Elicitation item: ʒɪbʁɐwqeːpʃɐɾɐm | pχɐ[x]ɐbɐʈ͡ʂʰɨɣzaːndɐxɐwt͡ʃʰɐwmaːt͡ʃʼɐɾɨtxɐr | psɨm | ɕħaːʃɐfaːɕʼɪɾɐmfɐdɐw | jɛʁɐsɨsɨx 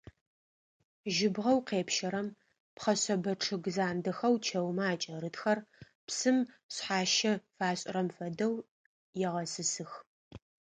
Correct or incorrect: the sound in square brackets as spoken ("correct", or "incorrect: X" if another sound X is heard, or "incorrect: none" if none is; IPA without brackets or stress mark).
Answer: incorrect: ɕ